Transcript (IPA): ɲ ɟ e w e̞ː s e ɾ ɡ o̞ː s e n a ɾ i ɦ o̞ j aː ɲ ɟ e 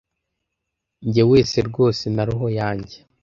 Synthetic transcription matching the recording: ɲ ɟ e w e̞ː s e ɾ ɡ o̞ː s e n a ɾ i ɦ o̞ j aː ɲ ɟ e